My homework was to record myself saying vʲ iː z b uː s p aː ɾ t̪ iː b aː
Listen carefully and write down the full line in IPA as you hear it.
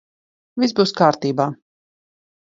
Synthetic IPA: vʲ i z b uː s k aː ɾ t̪ iː b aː